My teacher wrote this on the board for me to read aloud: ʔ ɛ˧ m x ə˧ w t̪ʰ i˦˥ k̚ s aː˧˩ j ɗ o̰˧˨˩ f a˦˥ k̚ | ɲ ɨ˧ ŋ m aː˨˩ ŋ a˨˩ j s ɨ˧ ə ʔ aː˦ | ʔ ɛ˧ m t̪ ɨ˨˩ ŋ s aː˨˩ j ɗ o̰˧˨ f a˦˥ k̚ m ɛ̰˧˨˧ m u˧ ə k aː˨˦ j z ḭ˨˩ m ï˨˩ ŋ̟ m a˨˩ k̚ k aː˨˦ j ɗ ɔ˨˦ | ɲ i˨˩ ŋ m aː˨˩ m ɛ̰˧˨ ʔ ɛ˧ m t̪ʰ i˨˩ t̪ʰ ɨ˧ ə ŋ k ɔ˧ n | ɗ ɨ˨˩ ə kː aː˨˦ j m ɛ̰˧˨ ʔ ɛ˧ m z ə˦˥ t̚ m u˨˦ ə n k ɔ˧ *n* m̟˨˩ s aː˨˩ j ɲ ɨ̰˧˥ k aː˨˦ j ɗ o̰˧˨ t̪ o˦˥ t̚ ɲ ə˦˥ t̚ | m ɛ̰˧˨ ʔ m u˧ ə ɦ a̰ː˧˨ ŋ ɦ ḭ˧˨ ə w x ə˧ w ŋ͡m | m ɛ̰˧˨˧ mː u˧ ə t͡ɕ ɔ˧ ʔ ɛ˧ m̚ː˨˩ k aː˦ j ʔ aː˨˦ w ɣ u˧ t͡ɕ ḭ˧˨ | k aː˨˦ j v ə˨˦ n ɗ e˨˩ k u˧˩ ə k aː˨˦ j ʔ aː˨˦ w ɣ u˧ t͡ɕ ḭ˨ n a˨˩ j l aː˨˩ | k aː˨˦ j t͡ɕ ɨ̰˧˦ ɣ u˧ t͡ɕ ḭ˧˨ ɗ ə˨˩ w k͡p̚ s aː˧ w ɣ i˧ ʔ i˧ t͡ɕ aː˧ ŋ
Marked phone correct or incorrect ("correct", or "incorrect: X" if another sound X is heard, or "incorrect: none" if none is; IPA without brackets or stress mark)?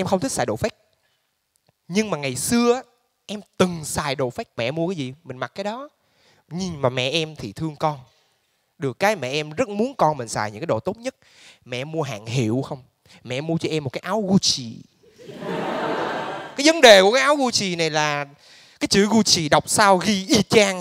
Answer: correct